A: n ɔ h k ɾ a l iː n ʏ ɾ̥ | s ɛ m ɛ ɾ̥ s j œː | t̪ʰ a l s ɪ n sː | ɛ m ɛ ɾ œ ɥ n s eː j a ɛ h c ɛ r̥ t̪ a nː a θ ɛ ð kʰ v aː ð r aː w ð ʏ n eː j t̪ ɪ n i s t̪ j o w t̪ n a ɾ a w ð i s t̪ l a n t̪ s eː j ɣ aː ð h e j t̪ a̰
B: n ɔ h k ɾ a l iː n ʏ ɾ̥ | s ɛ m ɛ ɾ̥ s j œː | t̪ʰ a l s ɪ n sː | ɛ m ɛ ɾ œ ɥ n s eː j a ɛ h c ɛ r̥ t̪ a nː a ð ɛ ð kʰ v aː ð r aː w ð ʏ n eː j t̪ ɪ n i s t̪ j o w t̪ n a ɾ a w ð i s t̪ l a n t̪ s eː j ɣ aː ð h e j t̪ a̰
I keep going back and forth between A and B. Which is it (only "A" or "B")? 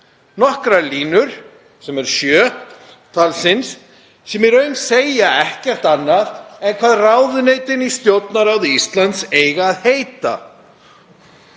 B